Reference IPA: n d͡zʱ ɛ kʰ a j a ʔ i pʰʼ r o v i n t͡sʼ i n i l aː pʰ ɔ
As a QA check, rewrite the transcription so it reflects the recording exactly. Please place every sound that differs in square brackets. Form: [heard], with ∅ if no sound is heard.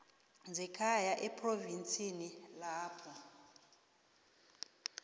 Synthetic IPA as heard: n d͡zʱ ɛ kʰ a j a ʔ [ɛ] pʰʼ r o v i n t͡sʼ i n i l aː pʰ ɔ

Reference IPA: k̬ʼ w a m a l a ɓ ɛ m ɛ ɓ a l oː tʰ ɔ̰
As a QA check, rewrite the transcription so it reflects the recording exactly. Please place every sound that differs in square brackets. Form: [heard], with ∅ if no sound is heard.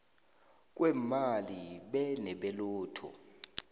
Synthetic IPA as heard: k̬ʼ w [ɛ] m a l [i] ɓ ɛ [n] ɛ ɓ [ɛ] l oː tʰ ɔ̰

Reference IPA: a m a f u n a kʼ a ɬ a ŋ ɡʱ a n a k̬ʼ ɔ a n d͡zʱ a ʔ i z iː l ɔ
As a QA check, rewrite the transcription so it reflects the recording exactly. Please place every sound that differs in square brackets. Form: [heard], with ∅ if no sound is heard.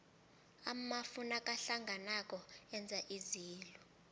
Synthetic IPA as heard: a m a f u n a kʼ a ɬ a ŋ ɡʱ a n a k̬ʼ ɔ [ɛ] n d͡zʱ a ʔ i z iː l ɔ

